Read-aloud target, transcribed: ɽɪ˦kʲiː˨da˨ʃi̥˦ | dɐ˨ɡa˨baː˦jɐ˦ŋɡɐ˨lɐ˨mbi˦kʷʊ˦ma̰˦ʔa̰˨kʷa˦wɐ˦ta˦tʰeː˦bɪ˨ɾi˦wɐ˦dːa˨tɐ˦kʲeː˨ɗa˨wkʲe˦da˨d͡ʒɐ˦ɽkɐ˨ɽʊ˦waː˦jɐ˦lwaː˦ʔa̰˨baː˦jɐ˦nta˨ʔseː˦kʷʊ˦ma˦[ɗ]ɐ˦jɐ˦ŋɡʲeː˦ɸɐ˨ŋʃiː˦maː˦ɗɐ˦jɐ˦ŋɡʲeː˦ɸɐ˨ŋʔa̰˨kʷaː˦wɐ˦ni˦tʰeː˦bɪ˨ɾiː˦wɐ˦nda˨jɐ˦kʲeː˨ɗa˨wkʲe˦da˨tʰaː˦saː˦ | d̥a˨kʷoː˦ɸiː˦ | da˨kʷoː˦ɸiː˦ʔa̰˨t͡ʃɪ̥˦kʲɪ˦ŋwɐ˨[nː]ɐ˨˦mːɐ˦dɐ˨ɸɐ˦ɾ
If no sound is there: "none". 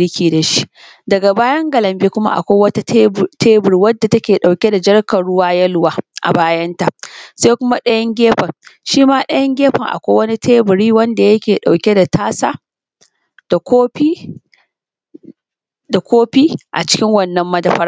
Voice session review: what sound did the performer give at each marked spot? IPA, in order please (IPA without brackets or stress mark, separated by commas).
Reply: ɗ, nː